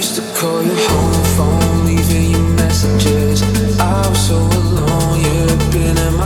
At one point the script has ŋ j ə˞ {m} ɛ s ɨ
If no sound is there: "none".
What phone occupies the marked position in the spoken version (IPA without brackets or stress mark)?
m